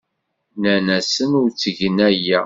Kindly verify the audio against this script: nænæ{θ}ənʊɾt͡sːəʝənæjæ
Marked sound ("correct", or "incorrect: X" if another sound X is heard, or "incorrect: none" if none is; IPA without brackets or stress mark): incorrect: s